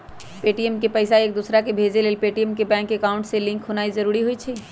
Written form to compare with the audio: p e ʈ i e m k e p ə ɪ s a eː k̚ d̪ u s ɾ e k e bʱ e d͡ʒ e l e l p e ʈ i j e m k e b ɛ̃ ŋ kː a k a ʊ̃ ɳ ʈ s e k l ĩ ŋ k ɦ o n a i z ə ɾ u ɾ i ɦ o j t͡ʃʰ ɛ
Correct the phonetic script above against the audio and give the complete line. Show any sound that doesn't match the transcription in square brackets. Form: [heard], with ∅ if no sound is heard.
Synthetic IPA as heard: p e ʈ i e m k e p ə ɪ s a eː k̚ d̪ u s ɾ [a] k e bʱ e d͡ʒ e l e l p e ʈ i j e m k e b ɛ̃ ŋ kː [e] k a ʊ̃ ɳ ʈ s e [∅] l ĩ ŋ k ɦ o n a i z ə ɾ u ɾ i ɦ o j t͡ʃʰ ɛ